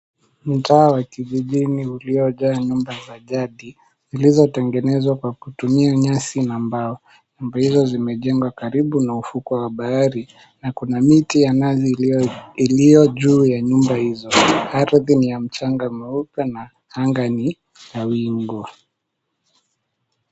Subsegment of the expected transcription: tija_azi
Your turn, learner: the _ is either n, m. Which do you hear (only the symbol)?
n